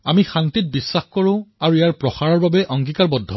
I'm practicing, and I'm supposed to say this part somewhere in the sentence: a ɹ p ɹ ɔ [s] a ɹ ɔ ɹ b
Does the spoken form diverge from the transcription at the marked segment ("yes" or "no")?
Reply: yes